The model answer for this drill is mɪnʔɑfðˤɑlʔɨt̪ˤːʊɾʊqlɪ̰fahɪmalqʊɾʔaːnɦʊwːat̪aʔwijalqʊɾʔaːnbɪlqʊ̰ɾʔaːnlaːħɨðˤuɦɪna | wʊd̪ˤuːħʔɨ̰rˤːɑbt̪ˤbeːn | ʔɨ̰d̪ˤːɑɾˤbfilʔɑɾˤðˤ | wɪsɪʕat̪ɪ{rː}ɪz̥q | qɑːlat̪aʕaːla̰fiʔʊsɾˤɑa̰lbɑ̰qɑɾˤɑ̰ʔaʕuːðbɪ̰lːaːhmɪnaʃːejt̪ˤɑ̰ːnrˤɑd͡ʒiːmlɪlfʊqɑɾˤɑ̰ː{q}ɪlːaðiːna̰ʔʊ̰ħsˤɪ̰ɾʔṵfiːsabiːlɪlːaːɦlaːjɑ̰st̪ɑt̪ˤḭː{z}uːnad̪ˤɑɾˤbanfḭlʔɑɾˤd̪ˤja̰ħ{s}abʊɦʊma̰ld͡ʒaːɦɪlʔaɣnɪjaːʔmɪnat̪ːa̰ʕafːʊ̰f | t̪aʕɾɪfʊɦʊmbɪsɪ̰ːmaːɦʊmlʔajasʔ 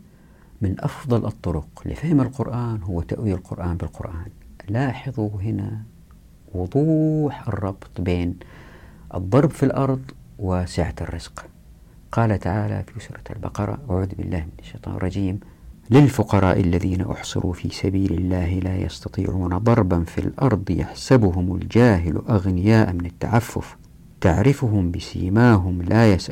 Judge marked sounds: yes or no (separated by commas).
yes, no, no, yes